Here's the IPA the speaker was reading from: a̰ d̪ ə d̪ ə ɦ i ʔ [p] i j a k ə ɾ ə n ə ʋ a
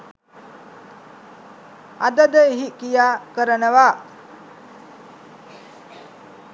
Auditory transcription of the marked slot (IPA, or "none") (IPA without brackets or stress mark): k